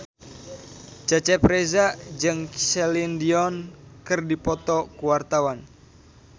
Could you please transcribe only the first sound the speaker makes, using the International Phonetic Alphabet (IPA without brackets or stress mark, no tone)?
t͡ʃ